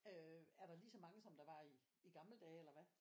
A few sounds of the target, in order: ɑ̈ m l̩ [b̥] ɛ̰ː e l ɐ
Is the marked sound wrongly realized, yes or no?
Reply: yes